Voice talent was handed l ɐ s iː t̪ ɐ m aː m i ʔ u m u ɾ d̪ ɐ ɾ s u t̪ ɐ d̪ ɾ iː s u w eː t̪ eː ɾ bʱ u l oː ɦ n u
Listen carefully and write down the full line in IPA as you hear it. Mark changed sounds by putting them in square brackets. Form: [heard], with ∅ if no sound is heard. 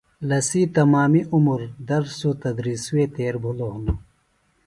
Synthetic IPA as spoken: l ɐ s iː t̪ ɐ m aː m i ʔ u m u ɾ d̪ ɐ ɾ s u t̪ ɐ d̪ ɾ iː s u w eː t̪ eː ɾ bʱ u l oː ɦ n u